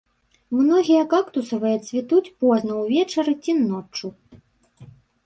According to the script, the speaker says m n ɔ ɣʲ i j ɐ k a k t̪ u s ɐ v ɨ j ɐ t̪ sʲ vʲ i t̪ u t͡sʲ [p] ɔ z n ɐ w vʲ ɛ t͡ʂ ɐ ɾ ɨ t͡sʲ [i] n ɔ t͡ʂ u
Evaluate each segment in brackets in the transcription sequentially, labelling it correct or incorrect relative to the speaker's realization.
correct, correct

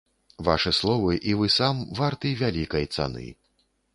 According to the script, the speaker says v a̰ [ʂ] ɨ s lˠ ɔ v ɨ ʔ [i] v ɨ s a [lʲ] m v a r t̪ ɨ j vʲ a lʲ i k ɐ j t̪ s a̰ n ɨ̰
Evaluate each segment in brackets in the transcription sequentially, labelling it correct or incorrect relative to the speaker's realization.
correct, correct, incorrect: none

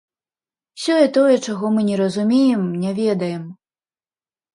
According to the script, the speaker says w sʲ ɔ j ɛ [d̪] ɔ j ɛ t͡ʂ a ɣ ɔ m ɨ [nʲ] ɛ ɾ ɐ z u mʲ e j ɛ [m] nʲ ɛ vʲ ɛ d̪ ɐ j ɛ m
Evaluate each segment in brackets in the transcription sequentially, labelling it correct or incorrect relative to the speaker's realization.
incorrect: t̪, correct, correct

